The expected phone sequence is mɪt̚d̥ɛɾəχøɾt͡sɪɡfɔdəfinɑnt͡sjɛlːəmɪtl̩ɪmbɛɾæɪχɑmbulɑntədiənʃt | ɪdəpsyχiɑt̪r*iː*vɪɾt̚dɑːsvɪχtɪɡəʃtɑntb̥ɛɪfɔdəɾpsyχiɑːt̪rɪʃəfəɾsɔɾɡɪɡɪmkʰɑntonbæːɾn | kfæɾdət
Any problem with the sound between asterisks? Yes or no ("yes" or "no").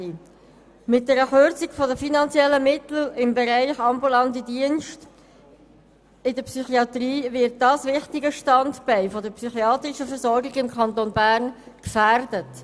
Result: no